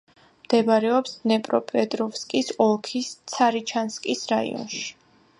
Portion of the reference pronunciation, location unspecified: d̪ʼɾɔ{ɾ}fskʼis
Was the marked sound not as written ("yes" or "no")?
yes